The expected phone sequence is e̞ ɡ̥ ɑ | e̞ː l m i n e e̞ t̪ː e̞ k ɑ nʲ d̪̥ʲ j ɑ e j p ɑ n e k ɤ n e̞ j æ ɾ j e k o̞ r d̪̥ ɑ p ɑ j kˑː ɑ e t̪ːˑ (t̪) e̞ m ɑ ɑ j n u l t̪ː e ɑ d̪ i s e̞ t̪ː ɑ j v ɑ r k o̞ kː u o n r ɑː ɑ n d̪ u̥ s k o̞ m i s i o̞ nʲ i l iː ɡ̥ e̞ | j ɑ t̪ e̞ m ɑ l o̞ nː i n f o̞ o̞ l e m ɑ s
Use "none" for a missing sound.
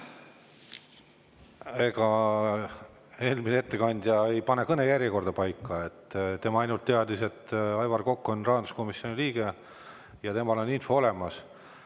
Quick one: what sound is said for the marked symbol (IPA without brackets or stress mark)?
t̪